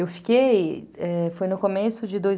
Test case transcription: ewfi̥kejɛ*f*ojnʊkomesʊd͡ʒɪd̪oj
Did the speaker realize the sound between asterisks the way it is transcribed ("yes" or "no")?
yes